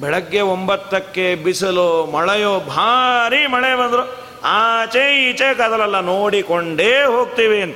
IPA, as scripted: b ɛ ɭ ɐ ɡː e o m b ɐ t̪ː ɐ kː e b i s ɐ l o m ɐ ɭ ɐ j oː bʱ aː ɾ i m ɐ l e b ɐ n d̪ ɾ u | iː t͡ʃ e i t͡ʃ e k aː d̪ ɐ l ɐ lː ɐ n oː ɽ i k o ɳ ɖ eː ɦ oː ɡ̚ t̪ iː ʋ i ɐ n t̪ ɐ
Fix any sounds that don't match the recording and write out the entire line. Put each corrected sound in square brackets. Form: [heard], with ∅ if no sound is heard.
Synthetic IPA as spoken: b ɛ ɭ ɐ ɡː e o m b ɐ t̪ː ɐ kː e b i s ɐ l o m ɐ ɭ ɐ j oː bʱ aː ɾ i m ɐ [ɭ] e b ɐ n d̪ ɾ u | [aː] t͡ʃ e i t͡ʃ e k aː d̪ ɐ l ɐ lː ɐ n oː ɽ i k o ɳ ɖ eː ɦ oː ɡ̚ t̪ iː ʋ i ɐ n t̪ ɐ